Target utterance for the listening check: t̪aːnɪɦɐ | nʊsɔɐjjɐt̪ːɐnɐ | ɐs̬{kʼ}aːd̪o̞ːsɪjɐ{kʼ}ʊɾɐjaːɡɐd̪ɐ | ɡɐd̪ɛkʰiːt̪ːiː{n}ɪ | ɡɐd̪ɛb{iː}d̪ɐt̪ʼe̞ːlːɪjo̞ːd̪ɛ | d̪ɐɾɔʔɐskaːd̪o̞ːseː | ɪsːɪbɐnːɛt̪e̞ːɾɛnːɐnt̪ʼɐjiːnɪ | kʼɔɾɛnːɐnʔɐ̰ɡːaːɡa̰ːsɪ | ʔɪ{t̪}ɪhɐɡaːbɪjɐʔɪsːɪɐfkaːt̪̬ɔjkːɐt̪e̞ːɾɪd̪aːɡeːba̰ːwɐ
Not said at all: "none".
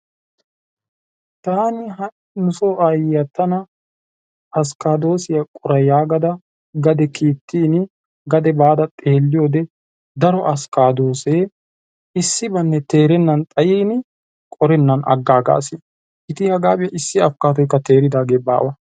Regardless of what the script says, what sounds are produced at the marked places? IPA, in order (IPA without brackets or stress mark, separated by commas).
k, kʼ, n, aː, t̪